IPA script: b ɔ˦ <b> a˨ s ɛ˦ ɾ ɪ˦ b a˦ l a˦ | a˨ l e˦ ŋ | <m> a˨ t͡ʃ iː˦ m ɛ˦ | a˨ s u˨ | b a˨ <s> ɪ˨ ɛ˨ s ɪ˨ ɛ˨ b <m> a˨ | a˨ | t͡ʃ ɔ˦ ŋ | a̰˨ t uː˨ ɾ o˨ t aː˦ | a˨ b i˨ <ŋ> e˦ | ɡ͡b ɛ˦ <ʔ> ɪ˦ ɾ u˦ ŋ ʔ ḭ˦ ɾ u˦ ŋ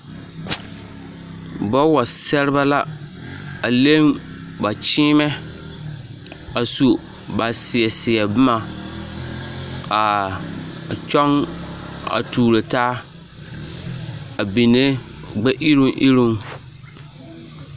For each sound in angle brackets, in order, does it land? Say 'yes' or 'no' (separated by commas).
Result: no, no, yes, yes, no, yes